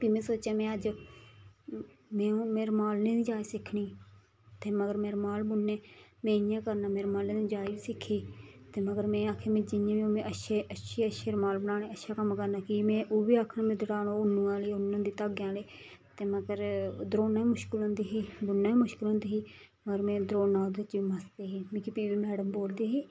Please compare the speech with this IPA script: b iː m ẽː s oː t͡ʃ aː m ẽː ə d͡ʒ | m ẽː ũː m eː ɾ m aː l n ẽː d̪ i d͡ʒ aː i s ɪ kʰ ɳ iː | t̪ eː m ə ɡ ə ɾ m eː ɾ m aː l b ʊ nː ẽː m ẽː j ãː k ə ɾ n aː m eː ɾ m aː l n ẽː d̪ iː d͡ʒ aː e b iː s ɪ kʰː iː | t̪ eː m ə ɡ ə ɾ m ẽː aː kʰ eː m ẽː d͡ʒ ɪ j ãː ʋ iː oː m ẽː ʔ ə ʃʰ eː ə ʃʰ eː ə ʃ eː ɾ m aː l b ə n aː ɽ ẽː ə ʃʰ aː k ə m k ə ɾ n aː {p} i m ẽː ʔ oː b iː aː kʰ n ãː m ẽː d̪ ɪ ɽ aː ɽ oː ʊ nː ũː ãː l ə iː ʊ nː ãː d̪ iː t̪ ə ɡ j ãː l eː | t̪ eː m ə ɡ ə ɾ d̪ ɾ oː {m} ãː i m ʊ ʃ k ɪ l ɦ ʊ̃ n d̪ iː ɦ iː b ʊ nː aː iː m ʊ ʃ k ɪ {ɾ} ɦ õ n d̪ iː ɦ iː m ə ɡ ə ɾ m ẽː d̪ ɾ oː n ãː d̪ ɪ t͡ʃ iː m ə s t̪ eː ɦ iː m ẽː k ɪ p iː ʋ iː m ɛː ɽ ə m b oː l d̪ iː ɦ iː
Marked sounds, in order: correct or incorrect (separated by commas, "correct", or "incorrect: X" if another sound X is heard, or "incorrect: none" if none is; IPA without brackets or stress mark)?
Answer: incorrect: k, incorrect: n, incorrect: l